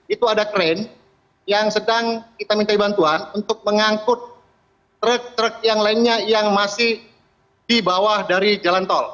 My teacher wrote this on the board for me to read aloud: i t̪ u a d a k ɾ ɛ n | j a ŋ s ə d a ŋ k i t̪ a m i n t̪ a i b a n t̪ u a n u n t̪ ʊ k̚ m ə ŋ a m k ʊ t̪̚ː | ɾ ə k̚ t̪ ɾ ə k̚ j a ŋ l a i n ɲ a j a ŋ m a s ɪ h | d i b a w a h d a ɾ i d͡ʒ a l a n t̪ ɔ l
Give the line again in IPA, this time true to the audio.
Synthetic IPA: i t̪ u a d a k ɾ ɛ n | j a ŋ s ə d a ŋ k i t̪ a m i n t̪ a i b a n t̪ u a n u n t̪ ʊ k̚ m ə ŋ a ŋ k ʊ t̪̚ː | ɾ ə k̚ t̪ ɾ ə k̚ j a ŋ l a i n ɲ a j a ŋ m a s ɪ h | d i b a w a h d a ɾ i d͡ʒ a l a n t̪ ɔ l